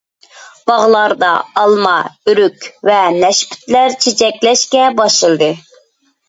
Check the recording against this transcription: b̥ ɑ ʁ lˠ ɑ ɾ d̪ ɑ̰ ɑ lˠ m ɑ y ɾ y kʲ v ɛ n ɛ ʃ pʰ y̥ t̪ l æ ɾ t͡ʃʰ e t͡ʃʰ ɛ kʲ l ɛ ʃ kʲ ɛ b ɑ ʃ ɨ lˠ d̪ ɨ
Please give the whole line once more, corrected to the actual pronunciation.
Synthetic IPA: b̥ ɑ ʁ lˠ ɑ ɾ d̪ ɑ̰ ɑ lˠ m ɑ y ɾ y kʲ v ɛ n ɛ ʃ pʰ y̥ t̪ l æ ɾ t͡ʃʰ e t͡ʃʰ ɛ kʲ l ɛ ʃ kʲ ɛ b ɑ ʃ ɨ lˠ d̪ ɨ